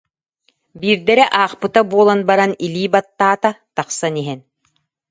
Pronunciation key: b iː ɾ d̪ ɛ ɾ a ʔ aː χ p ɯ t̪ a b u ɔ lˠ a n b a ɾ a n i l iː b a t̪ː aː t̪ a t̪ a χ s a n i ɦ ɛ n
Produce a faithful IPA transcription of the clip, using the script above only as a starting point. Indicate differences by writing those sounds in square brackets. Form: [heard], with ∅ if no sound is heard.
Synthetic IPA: b iː ɾ d̪ ɛ ɾ [ɛ] ʔ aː χ p ɯ t̪ a b u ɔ lˠ a n b a ɾ a n i l iː b a t̪ː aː t̪ a t̪ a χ s a n i ɦ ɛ n